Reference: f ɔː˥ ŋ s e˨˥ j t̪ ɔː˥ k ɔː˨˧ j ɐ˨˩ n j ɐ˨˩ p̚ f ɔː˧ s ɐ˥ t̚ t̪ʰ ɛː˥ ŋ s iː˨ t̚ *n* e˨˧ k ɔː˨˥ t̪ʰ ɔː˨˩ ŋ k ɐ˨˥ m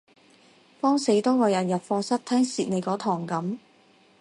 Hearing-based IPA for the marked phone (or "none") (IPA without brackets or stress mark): n